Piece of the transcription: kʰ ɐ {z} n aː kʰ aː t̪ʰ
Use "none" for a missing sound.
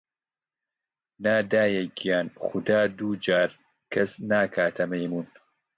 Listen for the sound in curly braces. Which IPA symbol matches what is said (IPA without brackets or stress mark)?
s